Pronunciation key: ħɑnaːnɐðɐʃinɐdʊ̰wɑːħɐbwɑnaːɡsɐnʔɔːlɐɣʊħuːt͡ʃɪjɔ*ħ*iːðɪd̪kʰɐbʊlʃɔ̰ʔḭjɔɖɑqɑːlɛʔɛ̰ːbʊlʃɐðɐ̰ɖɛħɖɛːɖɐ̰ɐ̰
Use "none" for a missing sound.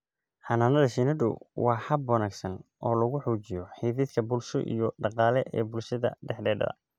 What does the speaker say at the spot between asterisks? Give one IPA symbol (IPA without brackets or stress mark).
ħ